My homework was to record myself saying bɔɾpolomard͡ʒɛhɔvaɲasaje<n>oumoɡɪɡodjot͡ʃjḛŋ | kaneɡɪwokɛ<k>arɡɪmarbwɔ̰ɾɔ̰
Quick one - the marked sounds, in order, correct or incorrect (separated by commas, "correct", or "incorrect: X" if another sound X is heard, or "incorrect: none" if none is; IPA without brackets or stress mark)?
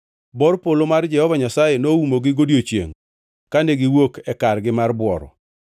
correct, correct